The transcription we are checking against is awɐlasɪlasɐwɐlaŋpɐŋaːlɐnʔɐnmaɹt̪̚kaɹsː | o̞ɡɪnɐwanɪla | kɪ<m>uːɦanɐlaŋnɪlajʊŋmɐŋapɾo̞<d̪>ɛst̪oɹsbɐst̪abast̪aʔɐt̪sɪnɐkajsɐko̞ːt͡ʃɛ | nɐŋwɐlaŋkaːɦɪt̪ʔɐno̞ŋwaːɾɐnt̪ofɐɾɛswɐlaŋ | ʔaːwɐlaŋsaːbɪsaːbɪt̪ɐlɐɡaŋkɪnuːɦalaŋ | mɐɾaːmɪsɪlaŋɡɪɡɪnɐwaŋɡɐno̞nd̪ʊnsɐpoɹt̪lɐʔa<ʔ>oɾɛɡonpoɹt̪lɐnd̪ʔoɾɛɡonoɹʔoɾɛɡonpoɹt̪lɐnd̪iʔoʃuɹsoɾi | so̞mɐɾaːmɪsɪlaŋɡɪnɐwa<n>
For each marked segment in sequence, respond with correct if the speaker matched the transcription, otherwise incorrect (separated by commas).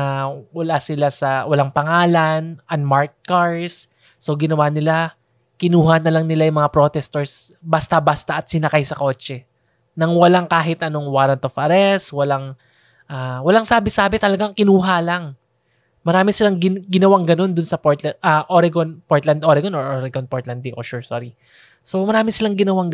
incorrect, incorrect, correct, incorrect